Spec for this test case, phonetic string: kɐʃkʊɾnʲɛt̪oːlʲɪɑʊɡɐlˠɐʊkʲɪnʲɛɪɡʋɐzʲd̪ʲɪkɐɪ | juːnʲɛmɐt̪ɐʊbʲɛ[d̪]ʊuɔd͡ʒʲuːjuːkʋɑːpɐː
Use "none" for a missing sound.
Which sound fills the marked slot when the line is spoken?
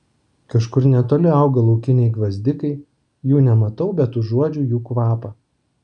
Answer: t̪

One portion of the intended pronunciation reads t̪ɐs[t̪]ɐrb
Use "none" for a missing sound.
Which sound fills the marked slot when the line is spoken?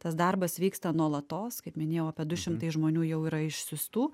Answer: d̪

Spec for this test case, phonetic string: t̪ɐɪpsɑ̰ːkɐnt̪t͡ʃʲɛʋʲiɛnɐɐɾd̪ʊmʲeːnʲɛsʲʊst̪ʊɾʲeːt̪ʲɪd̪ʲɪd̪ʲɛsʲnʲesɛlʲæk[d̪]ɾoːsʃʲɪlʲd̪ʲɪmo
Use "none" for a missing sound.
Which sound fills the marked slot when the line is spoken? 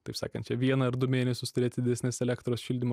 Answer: t̪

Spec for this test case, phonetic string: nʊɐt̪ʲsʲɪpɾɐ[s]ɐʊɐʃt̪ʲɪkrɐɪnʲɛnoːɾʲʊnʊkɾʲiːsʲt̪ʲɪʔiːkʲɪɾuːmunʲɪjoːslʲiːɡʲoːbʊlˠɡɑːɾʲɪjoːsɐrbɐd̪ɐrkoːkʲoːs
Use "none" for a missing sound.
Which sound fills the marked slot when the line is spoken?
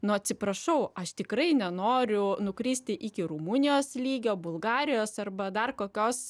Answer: ʃ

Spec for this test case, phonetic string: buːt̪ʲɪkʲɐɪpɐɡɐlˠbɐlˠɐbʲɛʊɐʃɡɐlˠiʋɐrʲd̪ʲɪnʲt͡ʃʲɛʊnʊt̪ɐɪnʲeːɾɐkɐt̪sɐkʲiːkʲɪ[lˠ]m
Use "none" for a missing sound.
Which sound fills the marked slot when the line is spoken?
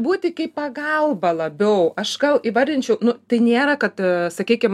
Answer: none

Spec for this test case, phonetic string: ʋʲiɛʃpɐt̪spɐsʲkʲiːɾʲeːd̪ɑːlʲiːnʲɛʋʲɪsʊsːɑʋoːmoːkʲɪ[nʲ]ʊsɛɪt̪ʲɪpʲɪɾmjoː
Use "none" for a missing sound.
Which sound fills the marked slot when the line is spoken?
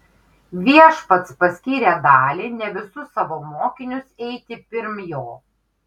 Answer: nʲ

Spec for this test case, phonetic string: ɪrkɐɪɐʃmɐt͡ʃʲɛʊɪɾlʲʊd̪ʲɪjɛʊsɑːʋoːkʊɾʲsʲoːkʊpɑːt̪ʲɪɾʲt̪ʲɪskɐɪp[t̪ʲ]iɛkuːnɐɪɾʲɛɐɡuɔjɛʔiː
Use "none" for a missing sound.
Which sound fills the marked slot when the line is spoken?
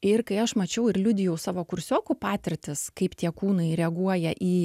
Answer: t̪ʲ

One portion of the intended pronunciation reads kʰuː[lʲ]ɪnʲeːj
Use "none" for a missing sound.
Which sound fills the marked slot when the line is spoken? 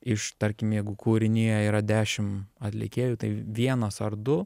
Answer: ɾʲ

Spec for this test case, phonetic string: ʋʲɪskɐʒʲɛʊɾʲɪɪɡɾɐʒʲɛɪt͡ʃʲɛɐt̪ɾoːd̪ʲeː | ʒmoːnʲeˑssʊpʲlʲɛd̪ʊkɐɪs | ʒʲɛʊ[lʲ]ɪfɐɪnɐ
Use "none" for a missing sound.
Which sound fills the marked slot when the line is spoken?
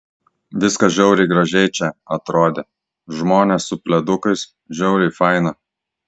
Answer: ɾʲ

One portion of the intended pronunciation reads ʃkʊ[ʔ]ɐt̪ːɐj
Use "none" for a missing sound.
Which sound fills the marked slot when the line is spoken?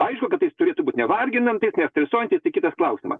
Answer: k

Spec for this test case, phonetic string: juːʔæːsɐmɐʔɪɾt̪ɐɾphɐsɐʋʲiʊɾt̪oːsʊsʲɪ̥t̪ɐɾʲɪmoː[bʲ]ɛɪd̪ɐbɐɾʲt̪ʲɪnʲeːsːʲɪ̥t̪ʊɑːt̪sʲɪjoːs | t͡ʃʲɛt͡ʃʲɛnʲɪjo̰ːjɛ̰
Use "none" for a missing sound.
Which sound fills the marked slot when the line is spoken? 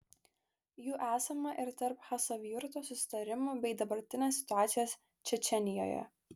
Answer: bʲ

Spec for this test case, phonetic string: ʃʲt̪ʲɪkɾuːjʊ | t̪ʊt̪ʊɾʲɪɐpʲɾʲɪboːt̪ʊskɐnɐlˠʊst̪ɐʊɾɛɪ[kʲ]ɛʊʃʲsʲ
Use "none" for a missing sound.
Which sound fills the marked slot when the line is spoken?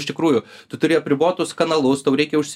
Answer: kʲ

